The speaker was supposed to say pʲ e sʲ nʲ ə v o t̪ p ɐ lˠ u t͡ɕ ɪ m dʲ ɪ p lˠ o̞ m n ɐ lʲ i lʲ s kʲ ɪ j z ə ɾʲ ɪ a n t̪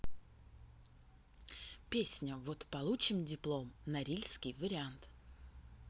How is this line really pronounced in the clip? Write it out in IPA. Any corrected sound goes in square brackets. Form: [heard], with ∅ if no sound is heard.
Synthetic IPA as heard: pʲ e sʲ nʲ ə v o t̪ p ɐ lˠ u t͡ɕ ɪ m dʲ ɪ p lˠ o̞ m n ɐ [ɾʲ] i lʲ s kʲ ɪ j [v] ə ɾʲ ɪ a n t̪